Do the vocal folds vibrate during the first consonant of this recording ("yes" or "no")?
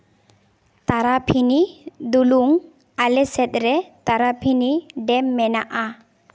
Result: no